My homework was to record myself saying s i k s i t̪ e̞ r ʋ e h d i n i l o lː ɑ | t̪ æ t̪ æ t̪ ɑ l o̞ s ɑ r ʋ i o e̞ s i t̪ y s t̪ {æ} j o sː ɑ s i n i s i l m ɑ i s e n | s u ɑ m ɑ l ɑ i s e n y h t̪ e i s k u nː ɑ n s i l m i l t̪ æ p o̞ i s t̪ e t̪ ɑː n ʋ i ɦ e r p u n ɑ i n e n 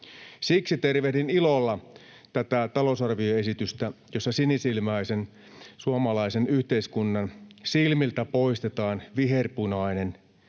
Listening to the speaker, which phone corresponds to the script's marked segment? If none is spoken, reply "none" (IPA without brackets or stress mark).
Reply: æ